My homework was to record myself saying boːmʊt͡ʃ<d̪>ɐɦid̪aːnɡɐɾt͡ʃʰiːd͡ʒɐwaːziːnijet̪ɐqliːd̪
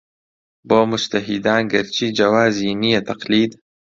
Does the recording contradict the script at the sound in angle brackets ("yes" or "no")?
yes